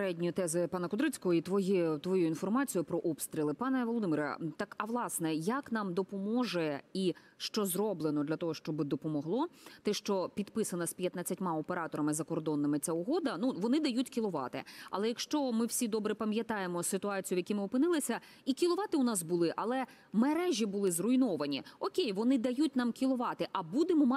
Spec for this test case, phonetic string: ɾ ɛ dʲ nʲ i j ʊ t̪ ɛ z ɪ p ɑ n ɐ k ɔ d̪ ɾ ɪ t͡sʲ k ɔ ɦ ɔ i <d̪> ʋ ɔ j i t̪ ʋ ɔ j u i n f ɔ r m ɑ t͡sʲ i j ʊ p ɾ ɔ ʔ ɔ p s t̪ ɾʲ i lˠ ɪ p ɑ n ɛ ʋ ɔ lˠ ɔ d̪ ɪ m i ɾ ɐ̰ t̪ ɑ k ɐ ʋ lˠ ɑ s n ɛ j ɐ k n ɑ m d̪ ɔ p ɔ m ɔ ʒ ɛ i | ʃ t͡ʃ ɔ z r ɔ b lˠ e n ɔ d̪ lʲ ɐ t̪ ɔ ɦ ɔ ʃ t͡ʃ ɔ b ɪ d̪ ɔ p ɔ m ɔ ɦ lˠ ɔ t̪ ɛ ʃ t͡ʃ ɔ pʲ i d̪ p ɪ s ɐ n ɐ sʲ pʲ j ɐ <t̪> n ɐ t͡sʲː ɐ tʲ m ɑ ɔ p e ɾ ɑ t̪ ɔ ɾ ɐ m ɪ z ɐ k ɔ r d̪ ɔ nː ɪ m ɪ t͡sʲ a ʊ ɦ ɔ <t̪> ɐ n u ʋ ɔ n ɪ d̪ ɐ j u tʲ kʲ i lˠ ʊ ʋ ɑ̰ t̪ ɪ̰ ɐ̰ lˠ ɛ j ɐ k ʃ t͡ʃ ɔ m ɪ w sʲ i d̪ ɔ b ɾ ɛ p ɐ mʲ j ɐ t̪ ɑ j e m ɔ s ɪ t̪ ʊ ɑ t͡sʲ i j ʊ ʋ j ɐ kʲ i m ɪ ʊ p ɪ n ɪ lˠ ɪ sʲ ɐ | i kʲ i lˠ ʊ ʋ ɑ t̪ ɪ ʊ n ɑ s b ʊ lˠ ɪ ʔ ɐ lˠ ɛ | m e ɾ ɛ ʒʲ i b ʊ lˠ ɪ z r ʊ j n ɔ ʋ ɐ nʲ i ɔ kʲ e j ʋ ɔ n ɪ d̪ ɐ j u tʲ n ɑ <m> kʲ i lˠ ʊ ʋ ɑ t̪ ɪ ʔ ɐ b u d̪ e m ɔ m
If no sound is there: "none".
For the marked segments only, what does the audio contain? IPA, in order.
t̪, t̪, d̪, m

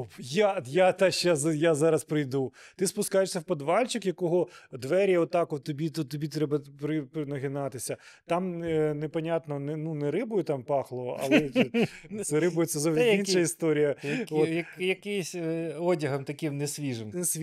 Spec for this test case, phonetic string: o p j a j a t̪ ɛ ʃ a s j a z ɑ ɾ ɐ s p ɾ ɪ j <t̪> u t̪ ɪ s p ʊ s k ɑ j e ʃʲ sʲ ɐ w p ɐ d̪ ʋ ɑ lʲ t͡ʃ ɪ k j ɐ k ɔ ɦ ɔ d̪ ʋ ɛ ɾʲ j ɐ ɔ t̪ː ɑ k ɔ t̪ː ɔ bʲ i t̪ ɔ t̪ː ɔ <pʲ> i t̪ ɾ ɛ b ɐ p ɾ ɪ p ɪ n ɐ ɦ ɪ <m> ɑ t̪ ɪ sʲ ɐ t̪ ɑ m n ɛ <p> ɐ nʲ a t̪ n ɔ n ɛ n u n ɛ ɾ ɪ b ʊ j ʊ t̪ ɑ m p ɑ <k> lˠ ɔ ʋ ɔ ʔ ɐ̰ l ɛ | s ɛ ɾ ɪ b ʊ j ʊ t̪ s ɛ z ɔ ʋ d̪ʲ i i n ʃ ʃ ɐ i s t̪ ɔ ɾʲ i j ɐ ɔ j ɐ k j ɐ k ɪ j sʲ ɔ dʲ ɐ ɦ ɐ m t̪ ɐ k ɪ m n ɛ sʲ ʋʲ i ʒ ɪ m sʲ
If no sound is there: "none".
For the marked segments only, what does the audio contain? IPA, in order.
d̪, bʲ, n, p, x

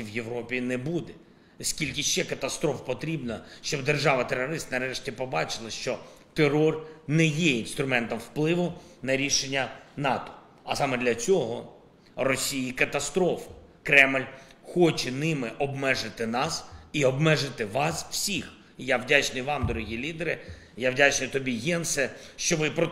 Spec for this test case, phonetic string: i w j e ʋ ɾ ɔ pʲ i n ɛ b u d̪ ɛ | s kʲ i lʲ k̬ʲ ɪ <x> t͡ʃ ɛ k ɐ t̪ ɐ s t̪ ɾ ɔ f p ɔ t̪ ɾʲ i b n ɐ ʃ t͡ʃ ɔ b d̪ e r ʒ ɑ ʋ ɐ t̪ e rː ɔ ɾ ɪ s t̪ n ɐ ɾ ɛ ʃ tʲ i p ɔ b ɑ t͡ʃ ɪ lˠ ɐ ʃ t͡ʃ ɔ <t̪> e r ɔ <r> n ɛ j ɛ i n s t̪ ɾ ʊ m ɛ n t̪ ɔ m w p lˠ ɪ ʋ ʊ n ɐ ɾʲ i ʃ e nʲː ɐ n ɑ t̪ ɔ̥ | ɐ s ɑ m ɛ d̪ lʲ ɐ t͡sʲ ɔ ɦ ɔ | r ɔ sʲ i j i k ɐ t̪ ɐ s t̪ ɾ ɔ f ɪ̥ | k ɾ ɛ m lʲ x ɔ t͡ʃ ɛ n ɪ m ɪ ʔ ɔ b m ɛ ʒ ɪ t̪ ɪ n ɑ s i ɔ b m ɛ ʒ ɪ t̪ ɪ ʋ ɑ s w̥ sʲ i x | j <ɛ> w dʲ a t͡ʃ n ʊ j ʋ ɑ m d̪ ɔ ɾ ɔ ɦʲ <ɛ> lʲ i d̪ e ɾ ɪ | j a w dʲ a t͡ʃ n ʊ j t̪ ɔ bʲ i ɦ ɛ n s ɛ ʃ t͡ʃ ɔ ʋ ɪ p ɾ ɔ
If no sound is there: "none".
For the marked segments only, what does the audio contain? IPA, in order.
ʃ, t̪, r, a, i

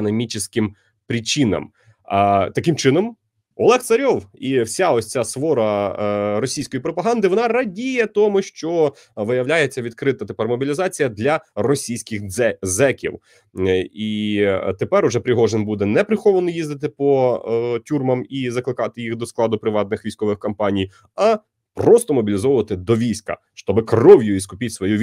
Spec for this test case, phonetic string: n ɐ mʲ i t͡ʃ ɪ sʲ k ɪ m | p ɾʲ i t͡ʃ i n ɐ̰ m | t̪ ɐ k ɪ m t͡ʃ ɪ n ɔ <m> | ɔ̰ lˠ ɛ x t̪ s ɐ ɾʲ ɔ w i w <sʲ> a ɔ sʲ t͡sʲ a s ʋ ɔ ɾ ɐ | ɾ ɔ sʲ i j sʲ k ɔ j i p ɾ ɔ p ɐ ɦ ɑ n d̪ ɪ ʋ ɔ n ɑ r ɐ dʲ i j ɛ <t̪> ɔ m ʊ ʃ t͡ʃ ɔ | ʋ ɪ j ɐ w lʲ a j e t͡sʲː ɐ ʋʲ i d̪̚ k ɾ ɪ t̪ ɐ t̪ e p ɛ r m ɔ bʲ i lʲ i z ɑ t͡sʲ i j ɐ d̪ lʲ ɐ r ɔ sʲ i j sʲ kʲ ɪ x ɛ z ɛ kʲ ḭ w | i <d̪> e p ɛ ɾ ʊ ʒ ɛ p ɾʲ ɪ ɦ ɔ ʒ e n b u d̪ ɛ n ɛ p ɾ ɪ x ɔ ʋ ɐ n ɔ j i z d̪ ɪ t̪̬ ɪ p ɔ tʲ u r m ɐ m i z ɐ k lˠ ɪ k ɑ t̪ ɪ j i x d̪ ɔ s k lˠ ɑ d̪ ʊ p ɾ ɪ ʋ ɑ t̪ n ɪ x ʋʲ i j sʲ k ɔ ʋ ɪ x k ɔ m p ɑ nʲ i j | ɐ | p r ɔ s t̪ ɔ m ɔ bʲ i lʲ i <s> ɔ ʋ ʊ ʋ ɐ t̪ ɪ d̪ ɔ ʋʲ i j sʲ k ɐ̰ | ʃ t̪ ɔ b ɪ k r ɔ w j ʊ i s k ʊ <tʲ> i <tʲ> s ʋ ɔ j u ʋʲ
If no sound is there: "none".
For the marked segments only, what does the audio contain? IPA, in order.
m, sʲ, t̪, t̪, z, pʲ, tʲ

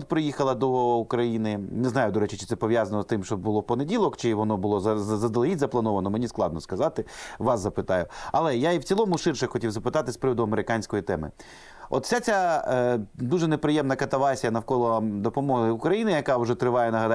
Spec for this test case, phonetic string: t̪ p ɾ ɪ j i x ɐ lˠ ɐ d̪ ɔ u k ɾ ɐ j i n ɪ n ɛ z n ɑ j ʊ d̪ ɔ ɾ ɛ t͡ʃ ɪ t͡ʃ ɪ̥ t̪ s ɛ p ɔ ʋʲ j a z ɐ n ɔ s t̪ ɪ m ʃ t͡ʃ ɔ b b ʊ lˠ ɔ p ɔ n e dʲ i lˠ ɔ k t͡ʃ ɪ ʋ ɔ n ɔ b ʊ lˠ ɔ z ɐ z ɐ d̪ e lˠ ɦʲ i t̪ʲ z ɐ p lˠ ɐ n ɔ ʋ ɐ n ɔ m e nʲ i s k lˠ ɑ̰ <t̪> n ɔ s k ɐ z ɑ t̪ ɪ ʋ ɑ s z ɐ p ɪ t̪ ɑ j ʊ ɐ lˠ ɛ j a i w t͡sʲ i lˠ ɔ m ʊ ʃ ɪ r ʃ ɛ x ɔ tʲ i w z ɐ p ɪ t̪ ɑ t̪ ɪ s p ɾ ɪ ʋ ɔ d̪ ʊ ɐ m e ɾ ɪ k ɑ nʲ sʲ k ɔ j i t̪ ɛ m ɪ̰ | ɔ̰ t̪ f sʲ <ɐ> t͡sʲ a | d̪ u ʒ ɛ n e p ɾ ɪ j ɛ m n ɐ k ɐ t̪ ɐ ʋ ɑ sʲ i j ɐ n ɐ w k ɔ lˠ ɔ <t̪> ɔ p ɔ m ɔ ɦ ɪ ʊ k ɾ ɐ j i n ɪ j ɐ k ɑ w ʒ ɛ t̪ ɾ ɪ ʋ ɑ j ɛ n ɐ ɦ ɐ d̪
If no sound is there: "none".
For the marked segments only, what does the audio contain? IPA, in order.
d̪, a, d̪

